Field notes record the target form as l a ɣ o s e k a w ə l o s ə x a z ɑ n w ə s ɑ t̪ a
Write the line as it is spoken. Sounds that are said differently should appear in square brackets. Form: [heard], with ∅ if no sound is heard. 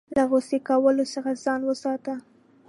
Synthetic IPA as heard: l a ɣ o s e k a w ə l o s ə x a z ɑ n w ə s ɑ t̪ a